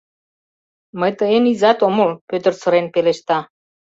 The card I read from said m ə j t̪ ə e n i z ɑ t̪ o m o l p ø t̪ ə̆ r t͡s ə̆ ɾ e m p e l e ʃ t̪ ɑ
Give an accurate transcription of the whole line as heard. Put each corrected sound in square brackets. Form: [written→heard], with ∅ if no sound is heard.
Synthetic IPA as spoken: m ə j t̪ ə e n i z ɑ t̪ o m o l p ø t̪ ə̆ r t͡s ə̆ ɾ e [m→n] p e l e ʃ t̪ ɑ